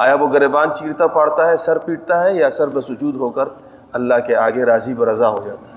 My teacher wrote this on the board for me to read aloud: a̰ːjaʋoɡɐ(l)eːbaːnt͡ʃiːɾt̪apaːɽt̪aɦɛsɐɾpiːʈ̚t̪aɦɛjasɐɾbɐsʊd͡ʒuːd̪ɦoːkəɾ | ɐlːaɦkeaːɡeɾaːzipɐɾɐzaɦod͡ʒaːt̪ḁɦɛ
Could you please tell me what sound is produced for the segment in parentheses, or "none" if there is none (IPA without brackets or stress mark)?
ɾ